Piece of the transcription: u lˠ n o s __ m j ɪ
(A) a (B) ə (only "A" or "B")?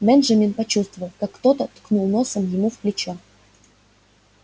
B